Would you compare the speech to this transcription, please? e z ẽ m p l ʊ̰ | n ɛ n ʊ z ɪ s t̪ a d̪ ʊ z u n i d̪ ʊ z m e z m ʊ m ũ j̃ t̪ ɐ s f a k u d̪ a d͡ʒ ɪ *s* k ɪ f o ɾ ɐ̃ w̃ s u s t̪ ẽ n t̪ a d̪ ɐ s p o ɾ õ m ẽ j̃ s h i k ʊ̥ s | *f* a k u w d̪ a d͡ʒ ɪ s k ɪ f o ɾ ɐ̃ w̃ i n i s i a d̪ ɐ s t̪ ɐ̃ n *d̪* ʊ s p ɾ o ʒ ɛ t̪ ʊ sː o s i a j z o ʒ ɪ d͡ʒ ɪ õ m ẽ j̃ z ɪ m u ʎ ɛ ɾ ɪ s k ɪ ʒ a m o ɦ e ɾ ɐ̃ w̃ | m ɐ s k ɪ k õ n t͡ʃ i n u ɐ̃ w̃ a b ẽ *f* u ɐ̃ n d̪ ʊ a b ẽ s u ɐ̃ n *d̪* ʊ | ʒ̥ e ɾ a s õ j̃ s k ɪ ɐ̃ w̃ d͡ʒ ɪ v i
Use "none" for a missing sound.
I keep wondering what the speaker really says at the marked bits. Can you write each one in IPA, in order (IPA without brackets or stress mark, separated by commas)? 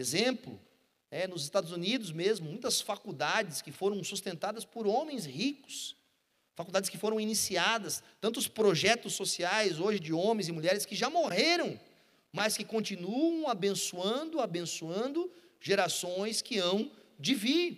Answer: s, f, t̪, s, d̪